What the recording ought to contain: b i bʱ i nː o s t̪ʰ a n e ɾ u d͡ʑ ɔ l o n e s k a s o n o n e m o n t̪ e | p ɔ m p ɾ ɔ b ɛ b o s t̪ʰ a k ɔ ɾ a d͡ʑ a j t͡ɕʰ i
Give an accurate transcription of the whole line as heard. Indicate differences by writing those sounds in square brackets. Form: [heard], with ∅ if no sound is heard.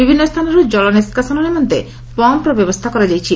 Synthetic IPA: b i bʱ i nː o s t̪ʰ a n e ɾ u d͡ʑ ɔ l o n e s k a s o n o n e m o n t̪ e | p ɔ m p ɾ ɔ b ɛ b o s t̪ʰ a k ɔ ɾ a d͡ʑ a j t͡ɕʰ i